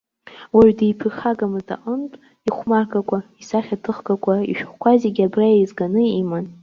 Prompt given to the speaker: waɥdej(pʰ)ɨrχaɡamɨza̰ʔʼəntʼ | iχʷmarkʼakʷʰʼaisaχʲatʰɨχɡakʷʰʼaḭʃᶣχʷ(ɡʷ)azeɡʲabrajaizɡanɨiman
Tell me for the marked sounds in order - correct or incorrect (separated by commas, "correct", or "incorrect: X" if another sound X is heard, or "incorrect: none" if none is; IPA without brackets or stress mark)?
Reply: correct, incorrect: kʷ